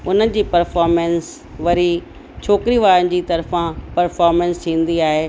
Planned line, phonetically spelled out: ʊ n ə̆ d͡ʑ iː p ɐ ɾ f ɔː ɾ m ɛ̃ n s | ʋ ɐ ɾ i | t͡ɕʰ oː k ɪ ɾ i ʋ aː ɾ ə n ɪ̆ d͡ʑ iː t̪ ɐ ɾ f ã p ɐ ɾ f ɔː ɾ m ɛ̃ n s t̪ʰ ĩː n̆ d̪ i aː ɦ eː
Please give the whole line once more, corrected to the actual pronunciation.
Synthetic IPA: ʊ n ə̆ d͡ʑ iː p ɐ ɾ f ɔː ɾ m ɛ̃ n s | ʋ ɐ ɾ i | t͡ɕʰ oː k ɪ ɾ i ʋ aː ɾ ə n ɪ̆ d͡ʑ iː t̪ ɐ ɾ f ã p ɐ ɾ f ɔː ɾ m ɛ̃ n s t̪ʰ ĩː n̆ d̪ i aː ɦ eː